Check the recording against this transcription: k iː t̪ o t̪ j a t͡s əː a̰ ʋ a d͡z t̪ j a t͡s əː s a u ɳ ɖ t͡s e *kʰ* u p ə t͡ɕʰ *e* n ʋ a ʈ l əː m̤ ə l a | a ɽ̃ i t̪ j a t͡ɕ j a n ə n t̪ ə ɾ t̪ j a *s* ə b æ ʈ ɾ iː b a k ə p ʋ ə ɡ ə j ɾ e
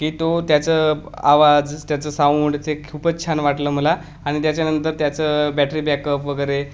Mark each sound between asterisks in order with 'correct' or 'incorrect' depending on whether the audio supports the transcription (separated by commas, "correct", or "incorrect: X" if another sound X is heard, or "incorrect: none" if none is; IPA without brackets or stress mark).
correct, incorrect: a, incorrect: t͡s